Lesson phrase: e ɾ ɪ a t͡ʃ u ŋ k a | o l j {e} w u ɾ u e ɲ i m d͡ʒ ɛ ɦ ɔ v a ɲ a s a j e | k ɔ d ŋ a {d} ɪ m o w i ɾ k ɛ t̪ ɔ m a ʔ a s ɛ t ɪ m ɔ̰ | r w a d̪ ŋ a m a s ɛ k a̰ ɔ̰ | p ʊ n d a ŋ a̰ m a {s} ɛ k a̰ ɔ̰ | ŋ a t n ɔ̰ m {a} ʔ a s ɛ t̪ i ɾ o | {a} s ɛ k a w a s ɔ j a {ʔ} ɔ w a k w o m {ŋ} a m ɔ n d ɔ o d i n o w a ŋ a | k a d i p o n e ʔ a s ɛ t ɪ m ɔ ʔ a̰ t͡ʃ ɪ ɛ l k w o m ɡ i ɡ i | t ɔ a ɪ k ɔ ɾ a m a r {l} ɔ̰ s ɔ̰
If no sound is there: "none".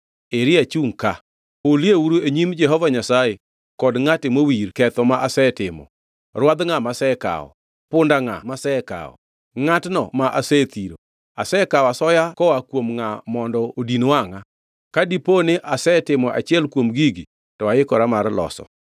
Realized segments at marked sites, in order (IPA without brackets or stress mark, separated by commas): e, t, s, a, a, k, ŋ, l